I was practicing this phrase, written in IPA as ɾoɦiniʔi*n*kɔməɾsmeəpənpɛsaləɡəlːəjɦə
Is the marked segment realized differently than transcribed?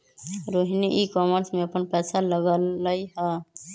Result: yes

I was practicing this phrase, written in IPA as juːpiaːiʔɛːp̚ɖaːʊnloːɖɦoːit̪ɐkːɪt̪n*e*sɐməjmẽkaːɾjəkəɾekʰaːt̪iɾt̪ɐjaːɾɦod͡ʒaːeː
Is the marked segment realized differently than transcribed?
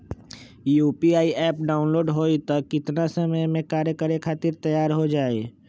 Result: yes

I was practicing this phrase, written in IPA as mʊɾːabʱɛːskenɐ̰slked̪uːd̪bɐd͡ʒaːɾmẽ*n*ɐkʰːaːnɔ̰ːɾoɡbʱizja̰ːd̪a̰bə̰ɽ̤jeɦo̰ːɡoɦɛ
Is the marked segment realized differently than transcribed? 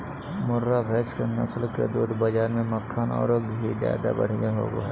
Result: yes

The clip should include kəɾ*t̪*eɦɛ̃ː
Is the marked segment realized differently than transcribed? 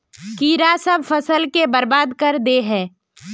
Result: yes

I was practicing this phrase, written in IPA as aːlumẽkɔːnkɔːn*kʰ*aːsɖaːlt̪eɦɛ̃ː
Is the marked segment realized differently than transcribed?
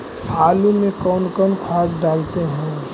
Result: no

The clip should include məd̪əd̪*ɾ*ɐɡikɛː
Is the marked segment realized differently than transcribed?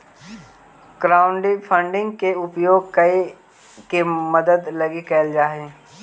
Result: yes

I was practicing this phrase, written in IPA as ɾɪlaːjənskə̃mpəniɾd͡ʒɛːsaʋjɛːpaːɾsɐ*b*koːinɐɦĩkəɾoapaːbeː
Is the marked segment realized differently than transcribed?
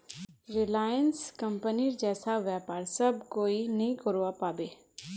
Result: no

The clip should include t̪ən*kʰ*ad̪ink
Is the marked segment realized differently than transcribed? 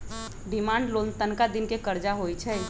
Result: yes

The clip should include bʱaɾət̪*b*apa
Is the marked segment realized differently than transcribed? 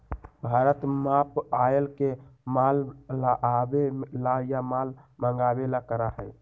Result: yes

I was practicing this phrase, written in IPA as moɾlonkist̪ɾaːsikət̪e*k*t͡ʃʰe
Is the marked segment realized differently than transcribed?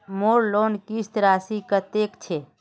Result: no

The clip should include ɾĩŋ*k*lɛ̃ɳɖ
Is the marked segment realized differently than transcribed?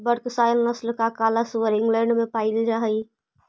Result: yes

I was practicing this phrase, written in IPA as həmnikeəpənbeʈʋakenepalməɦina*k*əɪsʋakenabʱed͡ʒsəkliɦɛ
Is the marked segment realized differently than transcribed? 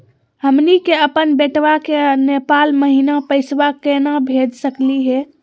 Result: yes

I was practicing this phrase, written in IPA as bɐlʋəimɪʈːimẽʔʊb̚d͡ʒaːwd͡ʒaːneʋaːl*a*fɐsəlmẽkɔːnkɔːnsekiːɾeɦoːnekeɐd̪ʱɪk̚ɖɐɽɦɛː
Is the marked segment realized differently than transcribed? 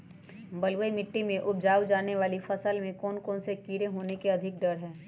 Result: yes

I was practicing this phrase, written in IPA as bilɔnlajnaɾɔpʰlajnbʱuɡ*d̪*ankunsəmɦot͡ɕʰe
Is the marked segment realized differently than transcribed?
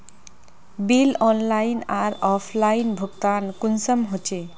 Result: yes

